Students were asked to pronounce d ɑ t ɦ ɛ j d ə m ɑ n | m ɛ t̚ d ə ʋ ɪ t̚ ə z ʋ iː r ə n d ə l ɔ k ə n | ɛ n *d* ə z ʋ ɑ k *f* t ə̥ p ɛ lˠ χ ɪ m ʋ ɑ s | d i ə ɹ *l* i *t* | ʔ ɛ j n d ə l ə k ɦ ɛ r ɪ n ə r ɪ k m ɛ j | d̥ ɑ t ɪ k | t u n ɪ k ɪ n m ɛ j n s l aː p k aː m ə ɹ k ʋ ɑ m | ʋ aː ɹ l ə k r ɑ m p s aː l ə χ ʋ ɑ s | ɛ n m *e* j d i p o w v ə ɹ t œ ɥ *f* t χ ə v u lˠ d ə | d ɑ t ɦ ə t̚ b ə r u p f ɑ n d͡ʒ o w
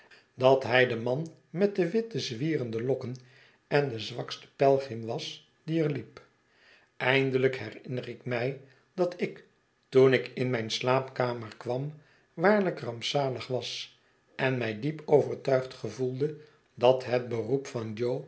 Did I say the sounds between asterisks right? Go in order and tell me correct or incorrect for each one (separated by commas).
correct, incorrect, correct, incorrect, incorrect, incorrect